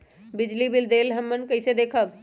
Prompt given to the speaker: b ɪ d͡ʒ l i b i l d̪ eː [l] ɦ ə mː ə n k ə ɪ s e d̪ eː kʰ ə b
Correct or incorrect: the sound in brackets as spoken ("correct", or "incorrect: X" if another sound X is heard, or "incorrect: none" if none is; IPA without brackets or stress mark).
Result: correct